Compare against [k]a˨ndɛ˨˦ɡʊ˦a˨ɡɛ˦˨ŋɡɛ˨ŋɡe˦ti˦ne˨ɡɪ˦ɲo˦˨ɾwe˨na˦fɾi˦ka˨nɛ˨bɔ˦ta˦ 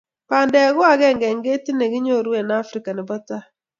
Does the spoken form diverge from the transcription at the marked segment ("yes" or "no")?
yes